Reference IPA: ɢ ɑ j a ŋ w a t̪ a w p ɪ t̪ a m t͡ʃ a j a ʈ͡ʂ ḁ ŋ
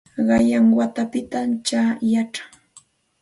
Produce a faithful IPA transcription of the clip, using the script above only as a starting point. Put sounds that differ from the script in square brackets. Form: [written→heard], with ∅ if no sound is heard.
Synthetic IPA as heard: ɢ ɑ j a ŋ w a t̪ a [w→∅] p ɪ t̪ a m t͡ʃ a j a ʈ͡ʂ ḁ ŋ